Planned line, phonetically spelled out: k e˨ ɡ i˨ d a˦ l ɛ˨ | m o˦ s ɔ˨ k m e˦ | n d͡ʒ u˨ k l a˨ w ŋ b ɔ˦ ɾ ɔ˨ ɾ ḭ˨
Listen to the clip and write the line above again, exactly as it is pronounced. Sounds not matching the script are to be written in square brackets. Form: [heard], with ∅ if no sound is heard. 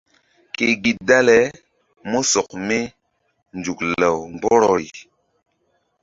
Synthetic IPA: k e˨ ɡ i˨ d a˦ l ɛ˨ | m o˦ s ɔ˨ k m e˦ | n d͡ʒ u˨ k l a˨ w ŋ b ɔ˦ ɾ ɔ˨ ɾ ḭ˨